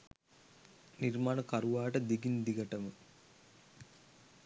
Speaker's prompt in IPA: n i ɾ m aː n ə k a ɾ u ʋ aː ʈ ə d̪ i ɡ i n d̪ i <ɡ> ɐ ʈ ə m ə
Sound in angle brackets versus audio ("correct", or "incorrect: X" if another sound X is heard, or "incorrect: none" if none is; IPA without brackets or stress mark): correct